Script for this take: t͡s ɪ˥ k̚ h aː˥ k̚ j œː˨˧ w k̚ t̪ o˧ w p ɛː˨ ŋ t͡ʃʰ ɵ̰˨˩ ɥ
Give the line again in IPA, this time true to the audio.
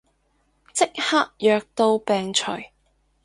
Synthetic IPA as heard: t͡s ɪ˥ k̚ h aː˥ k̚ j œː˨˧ k̚ t̪ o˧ w p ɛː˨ ŋ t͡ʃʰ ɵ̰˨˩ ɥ